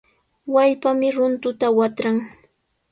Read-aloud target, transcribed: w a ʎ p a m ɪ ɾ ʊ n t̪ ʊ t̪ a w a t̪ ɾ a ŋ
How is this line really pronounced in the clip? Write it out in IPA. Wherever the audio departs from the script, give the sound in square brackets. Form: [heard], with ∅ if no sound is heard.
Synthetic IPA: w a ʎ p a m ɪ ɾ ʊ n t̪ ʊ t̪ a w a t̪ ɾ a ŋ